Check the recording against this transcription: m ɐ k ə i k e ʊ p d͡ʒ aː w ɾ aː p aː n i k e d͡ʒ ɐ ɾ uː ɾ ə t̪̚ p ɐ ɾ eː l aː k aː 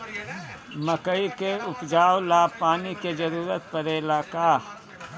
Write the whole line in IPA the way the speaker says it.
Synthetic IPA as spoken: m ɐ k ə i k e ʊ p d͡ʒ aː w l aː p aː n i k e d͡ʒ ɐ ɾ uː ɾ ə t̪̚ p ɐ ɾ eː l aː k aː